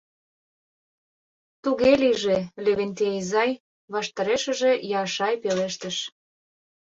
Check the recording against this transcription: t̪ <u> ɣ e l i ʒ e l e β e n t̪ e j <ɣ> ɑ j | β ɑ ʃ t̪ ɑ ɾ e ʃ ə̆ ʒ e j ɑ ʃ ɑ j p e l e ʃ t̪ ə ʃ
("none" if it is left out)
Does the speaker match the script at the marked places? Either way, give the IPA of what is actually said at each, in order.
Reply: u, z

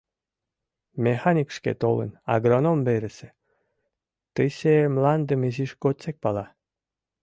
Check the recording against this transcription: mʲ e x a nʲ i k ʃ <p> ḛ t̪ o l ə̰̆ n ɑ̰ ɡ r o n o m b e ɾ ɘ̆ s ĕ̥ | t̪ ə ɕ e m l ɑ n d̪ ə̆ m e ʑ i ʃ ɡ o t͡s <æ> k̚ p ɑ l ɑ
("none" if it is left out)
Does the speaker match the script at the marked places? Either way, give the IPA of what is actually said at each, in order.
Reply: k, e

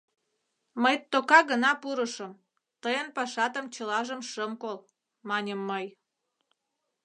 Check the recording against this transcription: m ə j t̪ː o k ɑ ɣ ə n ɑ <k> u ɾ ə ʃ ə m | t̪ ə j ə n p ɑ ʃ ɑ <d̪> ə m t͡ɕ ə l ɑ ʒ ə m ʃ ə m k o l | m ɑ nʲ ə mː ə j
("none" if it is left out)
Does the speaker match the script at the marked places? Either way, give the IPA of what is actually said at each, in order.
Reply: p, t̪

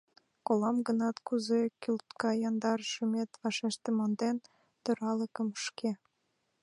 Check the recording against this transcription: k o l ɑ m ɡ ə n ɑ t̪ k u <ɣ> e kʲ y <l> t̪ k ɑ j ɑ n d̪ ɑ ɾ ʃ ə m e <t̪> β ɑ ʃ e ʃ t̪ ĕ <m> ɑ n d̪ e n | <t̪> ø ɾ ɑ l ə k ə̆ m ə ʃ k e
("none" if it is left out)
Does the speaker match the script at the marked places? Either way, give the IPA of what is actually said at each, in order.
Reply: z, l, t̪, m, t̪

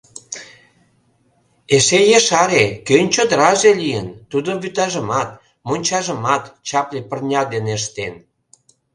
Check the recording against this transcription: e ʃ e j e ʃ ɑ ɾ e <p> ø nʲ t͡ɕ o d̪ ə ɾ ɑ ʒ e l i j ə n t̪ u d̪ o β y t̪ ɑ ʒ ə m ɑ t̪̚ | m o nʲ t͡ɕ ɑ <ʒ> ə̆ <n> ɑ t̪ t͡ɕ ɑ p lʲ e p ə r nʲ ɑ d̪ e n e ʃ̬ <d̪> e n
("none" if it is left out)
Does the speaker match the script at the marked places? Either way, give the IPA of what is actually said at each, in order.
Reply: k, ʒ, m, t̪

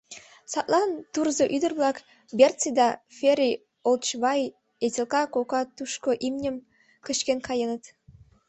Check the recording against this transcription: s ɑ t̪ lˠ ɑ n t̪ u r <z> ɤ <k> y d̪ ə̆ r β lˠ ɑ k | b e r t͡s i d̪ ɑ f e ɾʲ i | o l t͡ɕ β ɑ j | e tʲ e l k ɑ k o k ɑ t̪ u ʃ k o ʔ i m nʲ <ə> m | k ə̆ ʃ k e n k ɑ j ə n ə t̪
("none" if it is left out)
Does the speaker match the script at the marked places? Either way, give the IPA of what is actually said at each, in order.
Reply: z, ʔ, ə

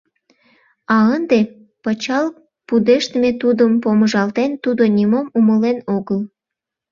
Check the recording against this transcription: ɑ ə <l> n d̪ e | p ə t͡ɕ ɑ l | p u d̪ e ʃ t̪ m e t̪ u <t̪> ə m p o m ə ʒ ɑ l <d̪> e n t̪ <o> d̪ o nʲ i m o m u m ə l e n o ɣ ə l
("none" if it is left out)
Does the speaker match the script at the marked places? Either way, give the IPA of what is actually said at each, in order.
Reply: none, d̪, t̪, u

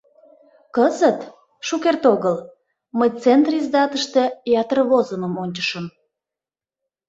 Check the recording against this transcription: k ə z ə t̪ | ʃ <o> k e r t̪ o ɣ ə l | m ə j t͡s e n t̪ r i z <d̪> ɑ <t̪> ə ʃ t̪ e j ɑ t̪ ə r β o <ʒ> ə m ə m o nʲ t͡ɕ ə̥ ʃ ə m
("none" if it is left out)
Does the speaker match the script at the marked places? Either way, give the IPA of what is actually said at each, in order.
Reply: u, d̪, t̪, z

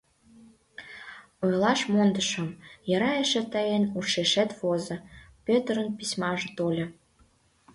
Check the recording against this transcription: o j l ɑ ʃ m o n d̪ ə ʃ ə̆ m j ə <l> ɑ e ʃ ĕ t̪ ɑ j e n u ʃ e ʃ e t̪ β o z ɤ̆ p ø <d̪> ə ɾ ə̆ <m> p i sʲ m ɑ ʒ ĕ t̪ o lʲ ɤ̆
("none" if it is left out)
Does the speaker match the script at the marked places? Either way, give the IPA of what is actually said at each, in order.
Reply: ɾ, t̪, n

